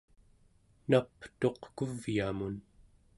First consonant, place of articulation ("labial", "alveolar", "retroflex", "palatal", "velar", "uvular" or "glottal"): alveolar